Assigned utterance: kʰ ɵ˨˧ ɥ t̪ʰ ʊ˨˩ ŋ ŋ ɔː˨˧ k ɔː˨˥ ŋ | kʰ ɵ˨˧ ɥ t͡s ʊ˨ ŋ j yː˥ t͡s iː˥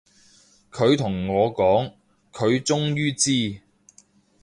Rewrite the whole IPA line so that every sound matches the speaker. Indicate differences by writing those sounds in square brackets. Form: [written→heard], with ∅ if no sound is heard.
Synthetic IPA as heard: kʰ ɵ˨˧ ɥ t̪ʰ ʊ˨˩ ŋ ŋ ɔː˨˧ k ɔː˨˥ ŋ | kʰ ɵ˨˧ ɥ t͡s [ʊ˨→ʊ˥] ŋ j yː˥ t͡s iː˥